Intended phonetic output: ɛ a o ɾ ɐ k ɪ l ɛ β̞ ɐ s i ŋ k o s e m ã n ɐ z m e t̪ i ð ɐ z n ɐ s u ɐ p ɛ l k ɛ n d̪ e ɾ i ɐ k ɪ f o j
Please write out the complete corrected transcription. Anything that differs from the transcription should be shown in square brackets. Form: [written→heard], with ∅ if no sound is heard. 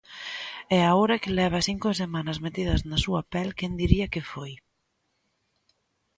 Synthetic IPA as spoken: ɛ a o ɾ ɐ k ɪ l ɛ β̞ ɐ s i ŋ k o s e m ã n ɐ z m e t̪ i ð ɐ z n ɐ s u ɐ p ɛ l k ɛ n d̪ [e→i] ɾ i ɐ k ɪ f o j